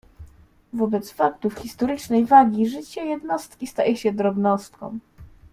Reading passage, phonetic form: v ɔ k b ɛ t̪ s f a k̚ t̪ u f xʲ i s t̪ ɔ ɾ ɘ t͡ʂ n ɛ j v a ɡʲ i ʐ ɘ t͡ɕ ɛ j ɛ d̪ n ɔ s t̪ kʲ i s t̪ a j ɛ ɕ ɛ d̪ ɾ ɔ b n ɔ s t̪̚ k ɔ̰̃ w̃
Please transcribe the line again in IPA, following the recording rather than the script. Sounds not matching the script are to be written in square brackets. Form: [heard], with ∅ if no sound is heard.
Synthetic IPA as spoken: v ɔ [∅] b ɛ t̪ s f a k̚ t̪ u f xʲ i s t̪ ɔ ɾ ɘ t͡ʂ n ɛ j v a ɡʲ i ʐ ɘ t͡ɕ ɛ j ɛ d̪ n ɔ s t̪ kʲ i s t̪ a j ɛ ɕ ɛ d̪ ɾ ɔ b n ɔ s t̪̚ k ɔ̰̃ w̃

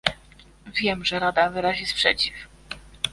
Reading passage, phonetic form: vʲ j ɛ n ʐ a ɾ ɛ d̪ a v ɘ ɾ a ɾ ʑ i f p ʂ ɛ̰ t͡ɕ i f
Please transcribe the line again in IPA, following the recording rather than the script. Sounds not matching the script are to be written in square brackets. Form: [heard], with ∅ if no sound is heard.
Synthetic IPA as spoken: vʲ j ɛ [m] ʐ [ɛ] ɾ [a] d̪ a v ɘ ɾ a [∅] ʑ i [s] p ʂ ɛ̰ t͡ɕ i f

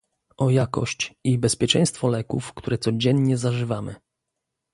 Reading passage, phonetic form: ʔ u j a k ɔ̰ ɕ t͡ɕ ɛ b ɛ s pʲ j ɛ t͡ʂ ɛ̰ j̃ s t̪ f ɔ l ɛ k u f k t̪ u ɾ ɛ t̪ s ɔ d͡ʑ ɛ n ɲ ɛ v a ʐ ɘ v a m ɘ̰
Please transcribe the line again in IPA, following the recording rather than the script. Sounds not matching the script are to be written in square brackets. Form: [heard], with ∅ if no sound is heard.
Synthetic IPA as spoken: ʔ [ɔ] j a k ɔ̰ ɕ t͡ɕ [i] b ɛ s pʲ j ɛ t͡ʂ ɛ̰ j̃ s t̪ f ɔ l ɛ k u f k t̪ u ɾ ɛ t̪ s ɔ d͡ʑ ɛ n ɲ ɛ [z] a ʐ ɘ v a m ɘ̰

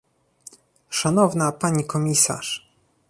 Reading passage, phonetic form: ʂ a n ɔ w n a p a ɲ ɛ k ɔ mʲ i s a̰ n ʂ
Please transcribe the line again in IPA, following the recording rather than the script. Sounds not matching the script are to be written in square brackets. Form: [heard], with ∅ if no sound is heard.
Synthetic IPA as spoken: ʂ a n ɔ [v] n a p a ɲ [i] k ɔ mʲ i s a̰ [∅] ʂ

